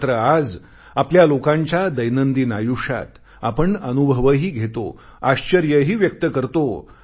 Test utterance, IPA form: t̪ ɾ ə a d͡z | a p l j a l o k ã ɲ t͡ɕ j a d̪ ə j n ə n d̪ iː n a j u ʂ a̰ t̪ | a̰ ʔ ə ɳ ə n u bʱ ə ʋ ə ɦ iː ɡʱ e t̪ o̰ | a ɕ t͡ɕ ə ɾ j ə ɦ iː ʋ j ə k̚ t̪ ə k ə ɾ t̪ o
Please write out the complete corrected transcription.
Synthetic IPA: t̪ ɾ ə a d͡z | a p l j a l o k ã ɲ t͡ɕ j a d̪ ə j n ə n d̪ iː n a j u ʂ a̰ t̪ | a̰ p ə ɳ ə n u bʱ ə ʋ ə ɦ iː ɡʱ e t̪ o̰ | a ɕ t͡ɕ ə ɾ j ə ɦ iː ʋ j ə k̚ t̪ ə k ə ɾ t̪ o